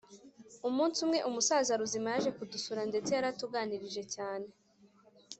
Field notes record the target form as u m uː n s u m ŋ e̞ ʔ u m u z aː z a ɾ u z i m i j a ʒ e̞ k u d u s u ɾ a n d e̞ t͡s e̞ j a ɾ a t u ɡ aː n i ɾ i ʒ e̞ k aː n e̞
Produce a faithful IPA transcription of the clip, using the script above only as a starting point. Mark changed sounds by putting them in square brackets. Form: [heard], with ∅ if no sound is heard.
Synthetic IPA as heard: u m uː n s u m ŋ e̞ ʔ u m u [s] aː z a ɾ u z i m [a] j a ʒ e̞ k u d u s u ɾ a n d e̞ t͡s e̞ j a ɾ a t u ɡ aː n i ɾ i ʒ e̞ [c] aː n e̞